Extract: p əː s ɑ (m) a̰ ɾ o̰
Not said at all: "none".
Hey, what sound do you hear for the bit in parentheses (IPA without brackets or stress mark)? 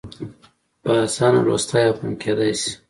n